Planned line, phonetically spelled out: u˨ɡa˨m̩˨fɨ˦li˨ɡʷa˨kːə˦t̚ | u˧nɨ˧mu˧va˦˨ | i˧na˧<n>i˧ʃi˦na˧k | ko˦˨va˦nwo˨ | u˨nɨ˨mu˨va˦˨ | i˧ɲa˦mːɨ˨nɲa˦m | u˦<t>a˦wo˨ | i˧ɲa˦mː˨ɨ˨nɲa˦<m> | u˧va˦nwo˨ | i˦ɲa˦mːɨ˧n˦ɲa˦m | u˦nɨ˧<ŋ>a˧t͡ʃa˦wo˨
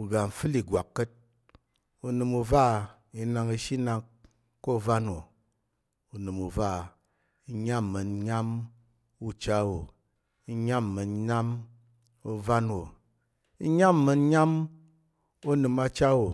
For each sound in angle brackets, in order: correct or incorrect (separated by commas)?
incorrect, incorrect, correct, incorrect